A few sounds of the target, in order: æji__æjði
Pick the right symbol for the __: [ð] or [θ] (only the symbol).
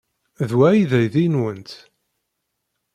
ð